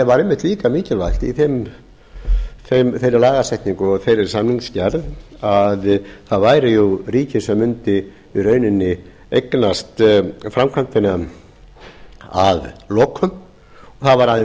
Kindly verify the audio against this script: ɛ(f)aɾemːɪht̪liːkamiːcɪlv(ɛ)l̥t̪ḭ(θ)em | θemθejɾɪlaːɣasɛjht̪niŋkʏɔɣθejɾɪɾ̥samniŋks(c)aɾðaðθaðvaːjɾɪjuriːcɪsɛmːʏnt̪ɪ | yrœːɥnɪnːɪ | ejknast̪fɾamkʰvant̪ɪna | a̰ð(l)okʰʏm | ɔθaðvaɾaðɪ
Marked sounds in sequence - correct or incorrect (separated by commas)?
incorrect, incorrect, correct, correct, correct